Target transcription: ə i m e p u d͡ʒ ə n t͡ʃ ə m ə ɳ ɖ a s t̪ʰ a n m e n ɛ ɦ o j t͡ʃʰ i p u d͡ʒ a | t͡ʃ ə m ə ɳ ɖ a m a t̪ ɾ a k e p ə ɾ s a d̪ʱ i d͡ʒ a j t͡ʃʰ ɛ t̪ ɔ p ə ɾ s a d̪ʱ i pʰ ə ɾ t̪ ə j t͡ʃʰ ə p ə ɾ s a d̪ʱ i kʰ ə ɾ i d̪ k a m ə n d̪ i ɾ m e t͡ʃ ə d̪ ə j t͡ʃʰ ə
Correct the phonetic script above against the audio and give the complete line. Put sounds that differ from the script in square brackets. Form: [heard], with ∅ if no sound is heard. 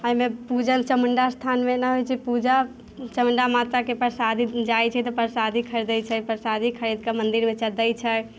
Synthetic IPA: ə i m e p u d͡ʒ ə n t͡ʃ ə m ə ɳ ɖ a s t̪ʰ a n m e n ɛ ɦ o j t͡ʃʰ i p u d͡ʒ a | t͡ʃ ə m ə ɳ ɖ a m a t̪ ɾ a k e p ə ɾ s a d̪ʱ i d͡ʒ a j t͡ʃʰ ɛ t̪ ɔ p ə ɾ s a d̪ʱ i [kʰ] ə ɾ [d̪] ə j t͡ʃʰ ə p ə ɾ s a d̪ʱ i kʰ ə ɾ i d̪ k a m ə n d̪ i ɾ m e t͡ʃ ə d̪ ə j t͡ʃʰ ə